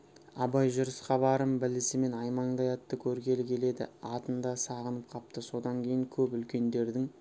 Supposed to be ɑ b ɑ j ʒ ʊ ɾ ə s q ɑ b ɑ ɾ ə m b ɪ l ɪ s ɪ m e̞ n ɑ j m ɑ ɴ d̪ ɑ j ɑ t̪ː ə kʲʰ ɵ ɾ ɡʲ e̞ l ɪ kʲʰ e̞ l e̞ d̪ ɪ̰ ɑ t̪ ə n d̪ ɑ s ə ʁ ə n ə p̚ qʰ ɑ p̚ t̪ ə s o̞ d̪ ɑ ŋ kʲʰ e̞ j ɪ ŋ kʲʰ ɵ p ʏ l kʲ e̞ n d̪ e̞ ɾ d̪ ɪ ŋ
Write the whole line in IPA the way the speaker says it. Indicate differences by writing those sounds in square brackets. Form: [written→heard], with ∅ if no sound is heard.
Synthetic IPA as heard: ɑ b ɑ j ʒ ʊ ɾ ə s q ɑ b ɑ ɾ ə m b ɪ l ɪ s ɪ m e̞ n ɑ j m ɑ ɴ d̪ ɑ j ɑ t̪ː ə kʲʰ ɵ ɾ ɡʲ e̞ l ɪ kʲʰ e̞ l e̞ d̪ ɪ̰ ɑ t̪ ə n d̪ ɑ s [ə→ɑ] ʁ ə n ə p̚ qʰ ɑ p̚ t̪ ə s o̞ d̪ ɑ ŋ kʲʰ e̞ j ɪ ŋ kʲʰ ɵ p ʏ l kʲ e̞ n d̪ e̞ ɾ d̪ ɪ ŋ